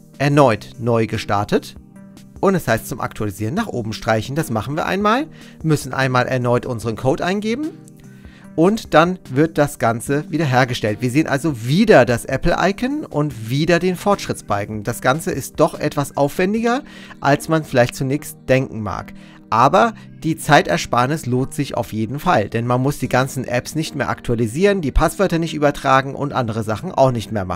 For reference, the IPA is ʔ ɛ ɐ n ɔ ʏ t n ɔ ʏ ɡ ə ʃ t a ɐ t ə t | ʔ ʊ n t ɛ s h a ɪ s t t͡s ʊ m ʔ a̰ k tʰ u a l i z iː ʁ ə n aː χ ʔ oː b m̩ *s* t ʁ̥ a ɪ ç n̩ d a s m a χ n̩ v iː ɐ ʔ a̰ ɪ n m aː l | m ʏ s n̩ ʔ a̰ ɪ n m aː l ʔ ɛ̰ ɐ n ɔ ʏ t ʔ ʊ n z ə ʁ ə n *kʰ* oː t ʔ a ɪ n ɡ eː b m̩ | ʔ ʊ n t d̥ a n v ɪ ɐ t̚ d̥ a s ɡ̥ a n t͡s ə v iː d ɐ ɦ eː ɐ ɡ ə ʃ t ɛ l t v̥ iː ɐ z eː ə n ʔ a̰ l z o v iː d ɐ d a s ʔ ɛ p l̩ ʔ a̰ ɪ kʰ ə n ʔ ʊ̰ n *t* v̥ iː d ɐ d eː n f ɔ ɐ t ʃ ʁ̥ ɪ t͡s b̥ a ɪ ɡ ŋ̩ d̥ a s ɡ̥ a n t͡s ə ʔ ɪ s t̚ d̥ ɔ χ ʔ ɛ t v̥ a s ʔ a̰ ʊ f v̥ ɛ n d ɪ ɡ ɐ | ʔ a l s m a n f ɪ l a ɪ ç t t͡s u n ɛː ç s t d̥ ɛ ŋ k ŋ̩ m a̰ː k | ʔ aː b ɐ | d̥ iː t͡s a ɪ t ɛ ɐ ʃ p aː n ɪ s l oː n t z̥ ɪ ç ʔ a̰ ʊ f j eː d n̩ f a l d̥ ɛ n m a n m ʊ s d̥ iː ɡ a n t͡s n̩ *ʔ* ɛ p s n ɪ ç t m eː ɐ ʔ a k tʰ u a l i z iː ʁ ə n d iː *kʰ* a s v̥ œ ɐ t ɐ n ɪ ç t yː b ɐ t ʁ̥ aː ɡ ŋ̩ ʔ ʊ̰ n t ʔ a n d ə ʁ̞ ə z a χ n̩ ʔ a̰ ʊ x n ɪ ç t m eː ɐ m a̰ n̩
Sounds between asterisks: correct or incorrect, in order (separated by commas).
incorrect, correct, correct, correct, incorrect